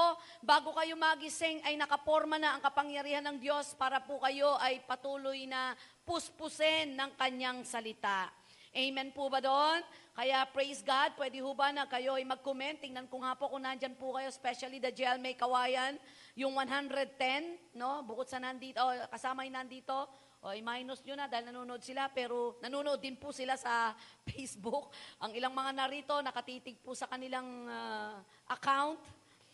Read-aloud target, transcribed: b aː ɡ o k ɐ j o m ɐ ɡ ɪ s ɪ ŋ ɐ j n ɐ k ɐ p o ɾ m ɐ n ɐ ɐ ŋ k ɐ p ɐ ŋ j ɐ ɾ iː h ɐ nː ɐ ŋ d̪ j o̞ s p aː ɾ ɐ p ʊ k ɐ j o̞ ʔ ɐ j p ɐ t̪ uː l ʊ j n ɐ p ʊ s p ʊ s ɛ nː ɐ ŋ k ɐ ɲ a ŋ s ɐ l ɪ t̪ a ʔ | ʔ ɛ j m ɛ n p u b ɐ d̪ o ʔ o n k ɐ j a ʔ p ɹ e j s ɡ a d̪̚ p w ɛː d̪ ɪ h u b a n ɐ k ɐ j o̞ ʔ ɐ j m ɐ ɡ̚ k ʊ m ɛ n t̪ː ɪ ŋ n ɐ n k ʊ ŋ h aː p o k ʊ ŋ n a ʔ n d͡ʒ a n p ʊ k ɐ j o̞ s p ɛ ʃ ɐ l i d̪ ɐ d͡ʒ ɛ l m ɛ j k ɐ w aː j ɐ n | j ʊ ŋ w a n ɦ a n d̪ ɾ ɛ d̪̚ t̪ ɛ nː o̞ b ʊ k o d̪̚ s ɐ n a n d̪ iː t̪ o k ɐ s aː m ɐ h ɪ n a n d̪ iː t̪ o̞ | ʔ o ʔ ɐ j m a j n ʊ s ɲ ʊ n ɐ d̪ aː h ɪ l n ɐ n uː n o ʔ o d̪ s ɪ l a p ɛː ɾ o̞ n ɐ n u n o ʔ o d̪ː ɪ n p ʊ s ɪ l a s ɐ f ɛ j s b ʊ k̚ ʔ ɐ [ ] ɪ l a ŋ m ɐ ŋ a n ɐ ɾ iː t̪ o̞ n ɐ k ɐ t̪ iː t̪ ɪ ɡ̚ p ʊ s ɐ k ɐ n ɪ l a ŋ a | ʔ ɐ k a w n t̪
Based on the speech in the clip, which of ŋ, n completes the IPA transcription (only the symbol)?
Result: ŋ